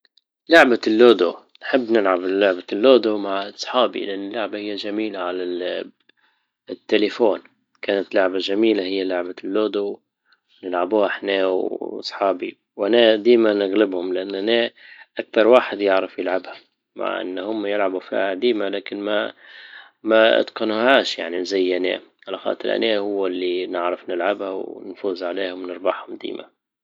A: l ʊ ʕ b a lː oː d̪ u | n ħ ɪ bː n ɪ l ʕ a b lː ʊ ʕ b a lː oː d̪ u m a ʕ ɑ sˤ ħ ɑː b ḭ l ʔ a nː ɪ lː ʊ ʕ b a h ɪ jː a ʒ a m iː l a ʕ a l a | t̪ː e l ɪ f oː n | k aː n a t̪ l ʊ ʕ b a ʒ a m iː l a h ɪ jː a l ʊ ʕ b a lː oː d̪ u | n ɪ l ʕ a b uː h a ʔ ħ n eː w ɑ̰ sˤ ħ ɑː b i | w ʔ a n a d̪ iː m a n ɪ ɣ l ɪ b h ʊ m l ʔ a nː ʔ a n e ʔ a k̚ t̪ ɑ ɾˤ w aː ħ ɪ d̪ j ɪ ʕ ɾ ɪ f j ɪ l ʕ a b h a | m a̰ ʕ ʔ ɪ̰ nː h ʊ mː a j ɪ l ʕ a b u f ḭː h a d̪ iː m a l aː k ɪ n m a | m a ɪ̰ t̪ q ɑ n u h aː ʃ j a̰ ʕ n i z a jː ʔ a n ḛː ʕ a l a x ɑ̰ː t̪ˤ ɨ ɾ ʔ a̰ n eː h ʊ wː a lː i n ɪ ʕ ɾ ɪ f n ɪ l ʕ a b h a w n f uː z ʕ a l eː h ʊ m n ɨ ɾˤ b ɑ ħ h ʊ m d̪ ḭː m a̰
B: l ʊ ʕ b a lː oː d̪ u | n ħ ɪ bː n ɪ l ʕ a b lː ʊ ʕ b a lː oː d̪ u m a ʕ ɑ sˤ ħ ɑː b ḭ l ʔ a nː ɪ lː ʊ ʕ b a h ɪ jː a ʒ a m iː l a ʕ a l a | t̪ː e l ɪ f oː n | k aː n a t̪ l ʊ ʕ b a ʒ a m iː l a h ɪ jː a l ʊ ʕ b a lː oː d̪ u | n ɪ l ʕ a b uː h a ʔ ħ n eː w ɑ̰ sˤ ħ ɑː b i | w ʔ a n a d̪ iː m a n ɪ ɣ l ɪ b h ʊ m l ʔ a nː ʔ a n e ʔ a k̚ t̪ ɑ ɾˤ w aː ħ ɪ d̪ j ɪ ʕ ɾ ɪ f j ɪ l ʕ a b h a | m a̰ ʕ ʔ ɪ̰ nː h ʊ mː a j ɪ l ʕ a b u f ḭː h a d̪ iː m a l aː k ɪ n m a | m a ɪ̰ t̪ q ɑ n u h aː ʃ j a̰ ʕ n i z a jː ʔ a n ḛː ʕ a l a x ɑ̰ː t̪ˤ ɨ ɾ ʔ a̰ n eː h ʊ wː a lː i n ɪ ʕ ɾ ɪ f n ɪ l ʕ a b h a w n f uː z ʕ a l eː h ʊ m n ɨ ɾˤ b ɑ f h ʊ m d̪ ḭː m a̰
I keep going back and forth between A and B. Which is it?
A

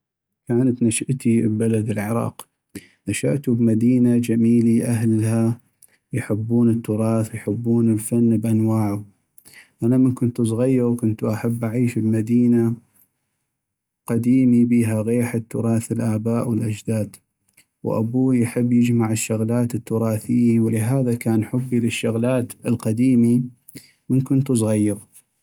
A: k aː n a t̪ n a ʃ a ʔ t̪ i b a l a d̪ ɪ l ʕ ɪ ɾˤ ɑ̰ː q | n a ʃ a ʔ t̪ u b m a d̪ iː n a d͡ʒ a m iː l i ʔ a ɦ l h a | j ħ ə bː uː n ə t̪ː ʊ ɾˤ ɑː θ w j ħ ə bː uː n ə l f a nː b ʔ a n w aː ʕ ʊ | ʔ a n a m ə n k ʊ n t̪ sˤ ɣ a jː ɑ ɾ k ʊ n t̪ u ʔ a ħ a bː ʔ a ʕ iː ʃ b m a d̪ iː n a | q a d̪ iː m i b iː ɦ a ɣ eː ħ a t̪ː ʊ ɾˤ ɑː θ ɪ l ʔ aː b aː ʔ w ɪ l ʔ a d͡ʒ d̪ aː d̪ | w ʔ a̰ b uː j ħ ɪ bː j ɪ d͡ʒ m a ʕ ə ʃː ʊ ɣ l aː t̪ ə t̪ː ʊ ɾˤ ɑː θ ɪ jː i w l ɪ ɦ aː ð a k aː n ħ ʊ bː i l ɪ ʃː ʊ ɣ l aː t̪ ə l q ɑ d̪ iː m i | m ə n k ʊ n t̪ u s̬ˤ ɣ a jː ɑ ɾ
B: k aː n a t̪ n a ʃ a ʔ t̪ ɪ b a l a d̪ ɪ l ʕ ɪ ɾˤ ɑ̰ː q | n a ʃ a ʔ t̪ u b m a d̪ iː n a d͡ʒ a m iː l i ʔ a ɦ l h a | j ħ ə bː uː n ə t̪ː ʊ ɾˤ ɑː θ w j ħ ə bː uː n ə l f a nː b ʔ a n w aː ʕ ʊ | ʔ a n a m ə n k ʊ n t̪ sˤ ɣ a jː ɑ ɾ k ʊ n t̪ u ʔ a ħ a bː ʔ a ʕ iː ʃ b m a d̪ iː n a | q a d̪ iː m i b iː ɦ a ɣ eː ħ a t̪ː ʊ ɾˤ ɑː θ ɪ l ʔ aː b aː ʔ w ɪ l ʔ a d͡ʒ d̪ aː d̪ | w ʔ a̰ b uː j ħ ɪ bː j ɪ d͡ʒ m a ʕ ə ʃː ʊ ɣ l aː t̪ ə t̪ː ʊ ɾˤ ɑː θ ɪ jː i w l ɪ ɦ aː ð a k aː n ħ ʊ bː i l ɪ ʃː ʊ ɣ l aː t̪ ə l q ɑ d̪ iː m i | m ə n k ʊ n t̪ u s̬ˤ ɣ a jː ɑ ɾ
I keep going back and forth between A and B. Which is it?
A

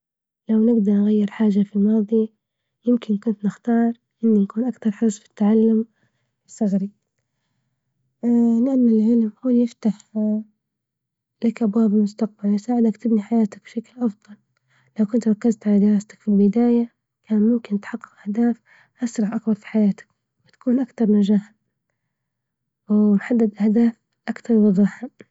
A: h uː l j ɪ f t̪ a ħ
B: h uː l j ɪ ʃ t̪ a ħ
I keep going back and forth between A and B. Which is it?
A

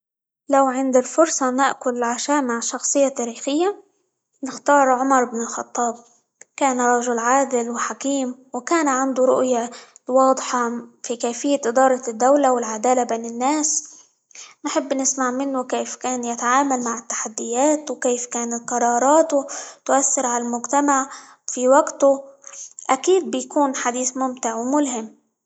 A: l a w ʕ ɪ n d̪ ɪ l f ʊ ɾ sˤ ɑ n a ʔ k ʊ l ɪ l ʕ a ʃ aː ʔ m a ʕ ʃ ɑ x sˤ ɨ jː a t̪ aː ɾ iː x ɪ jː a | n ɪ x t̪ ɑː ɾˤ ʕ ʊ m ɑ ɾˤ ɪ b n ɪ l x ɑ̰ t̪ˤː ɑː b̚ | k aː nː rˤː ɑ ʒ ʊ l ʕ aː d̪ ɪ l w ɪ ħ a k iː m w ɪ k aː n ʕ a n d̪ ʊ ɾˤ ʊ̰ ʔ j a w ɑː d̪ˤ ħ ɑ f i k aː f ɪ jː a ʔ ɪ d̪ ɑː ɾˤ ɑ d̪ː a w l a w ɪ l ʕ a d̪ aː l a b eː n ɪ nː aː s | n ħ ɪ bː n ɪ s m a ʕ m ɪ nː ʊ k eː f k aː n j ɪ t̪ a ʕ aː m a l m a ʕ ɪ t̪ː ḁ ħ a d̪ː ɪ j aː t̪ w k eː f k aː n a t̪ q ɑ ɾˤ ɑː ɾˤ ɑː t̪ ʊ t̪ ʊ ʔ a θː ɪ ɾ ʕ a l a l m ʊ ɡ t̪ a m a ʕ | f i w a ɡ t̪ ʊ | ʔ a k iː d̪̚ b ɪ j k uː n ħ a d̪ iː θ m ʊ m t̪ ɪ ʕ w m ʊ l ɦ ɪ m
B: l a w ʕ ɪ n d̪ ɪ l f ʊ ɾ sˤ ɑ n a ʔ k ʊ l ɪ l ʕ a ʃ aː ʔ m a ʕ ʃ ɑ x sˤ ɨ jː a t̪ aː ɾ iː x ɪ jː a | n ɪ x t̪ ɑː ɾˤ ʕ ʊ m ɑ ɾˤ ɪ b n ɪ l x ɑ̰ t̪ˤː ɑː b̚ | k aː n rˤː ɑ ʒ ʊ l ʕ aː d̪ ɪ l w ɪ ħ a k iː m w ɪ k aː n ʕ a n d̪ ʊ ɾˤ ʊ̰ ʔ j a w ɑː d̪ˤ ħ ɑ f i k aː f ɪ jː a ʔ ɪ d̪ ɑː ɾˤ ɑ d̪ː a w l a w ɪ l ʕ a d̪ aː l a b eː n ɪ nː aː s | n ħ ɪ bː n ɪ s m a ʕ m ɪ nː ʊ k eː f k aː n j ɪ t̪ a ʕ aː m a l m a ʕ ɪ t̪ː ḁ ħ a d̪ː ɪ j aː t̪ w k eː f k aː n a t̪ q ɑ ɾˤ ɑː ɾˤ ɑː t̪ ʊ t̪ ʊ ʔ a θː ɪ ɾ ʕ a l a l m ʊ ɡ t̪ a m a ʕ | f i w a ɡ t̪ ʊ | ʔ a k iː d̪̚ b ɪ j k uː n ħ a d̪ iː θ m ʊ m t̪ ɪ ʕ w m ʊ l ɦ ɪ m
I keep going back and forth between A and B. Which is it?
B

